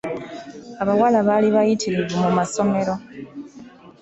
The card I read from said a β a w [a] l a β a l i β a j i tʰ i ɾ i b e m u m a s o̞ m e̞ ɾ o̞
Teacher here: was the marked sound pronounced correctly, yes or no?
yes